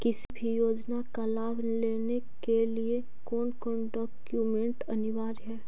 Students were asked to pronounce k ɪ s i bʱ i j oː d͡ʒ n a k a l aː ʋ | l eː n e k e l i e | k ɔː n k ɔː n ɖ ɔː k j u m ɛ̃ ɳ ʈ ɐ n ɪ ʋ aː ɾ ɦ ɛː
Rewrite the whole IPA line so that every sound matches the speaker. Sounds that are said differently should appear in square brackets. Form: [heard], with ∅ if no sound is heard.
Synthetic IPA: k ɪ s i bʱ i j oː d͡ʒ n a k a l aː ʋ | l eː n e k e l i e | k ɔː n k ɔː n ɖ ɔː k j u m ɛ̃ ɳ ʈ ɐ n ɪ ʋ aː ɾ ɦ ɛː